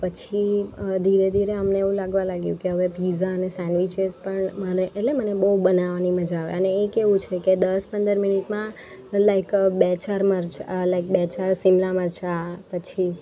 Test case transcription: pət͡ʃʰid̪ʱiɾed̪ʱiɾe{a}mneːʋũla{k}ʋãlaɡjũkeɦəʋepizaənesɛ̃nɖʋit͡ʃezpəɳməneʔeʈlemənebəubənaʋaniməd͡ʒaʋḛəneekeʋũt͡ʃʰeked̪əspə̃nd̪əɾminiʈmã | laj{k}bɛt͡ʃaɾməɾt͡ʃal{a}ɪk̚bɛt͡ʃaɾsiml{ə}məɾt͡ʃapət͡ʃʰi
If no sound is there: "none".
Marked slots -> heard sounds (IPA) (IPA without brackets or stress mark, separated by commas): ə, ɡ, k, a, a